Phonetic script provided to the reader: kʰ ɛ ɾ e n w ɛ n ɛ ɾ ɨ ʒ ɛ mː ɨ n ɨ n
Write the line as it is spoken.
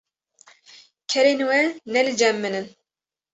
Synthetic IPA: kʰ ɛ ɾ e n w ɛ n ɛ l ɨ d͡ʒ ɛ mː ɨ n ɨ n